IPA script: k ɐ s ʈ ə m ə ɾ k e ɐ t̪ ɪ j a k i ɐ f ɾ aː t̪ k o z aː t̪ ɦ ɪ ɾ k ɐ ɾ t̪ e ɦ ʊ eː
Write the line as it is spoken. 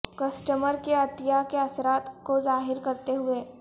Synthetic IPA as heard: k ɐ s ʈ ə m ə ɾ k e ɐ t̪ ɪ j a k e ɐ s ɾ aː t̪ k o z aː ɦ ɪ ɾ k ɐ ɾ t̪ e ɦ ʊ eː

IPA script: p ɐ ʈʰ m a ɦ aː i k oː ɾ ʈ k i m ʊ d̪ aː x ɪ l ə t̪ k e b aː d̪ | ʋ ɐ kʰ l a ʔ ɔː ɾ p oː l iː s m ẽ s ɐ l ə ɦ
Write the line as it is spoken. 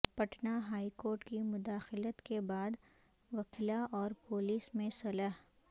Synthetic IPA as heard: p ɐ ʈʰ n a ɦ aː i k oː ɾ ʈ k i m ʊ d̪ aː x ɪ l ə t̪ k e b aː d̪ | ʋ ɐ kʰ l a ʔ ɔː ɾ p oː l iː s m ẽ s ɐ l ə ɦ

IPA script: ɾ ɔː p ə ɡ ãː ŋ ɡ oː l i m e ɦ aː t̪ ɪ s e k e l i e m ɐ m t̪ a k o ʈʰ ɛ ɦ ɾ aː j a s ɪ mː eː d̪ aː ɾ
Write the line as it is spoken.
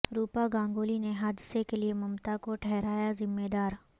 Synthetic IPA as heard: ɾ uː p a ɡ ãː ŋ ɡ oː l i n e ɦ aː d̪ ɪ s e k e l i e m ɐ m t̪ a k o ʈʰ ɛ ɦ ɾ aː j a z ɪ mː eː d̪ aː ɾ

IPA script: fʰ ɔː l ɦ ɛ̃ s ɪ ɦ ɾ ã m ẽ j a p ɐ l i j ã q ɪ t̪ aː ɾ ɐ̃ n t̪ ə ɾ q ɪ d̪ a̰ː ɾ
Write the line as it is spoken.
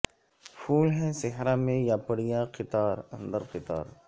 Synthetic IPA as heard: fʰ uː l ɦ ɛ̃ s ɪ ɦ ɾ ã m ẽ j a p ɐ ɽ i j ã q ɪ t̪ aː ɾ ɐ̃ n d̪ ə ɾ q ɪ t̪ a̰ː ɾ

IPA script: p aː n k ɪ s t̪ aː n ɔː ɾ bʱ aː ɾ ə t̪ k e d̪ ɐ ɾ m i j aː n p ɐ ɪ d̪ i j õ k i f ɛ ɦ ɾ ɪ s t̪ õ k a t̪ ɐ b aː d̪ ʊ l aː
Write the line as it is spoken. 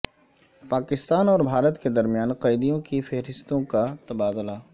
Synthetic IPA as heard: p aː k ɪ s t̪ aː n ɔː ɾ bʱ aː ɾ ə t̪ k e d̪ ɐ ɾ m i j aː n q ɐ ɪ d̪ i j õ k i f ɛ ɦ ɾ ɪ s t̪ õ k a t̪ ɐ b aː d̪ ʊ l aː

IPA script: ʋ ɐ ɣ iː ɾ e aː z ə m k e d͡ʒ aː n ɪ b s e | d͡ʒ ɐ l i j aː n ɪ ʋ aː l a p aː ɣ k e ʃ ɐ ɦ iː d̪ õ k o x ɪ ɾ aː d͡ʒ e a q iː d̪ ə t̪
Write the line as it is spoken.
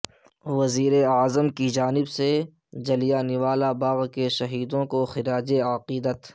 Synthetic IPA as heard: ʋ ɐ z iː ɾ e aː z ə m k i d͡ʒ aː n ɪ b s e | d͡ʒ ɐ l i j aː n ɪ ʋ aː l a b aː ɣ k e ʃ ɐ ɦ iː d̪ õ k o x ɪ ɾ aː d͡ʒ e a q iː d̪ ə t̪

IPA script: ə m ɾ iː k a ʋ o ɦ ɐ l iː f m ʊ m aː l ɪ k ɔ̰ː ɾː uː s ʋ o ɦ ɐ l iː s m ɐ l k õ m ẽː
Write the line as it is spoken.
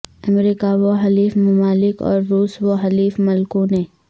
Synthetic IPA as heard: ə m ɾ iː k a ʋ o ɦ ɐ l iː f m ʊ m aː l ɪ k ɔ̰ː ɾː uː s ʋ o ɦ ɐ l iː f m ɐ l k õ n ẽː

